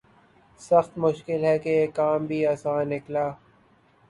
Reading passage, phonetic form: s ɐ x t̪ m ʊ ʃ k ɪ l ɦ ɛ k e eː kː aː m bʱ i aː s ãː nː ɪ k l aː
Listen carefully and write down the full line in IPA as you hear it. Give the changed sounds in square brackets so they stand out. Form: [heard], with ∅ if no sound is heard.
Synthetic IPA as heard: s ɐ x t̪ m ʊ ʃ k ɪ l ɦ ɛ k e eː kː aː m bʱ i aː s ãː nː ɪ k l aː